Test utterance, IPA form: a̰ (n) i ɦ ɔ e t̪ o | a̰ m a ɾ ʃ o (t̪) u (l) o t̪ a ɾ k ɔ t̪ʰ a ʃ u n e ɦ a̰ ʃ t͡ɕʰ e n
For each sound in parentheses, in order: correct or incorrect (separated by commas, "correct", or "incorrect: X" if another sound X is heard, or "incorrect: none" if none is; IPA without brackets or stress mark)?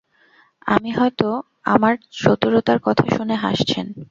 incorrect: m, correct, incorrect: ɾ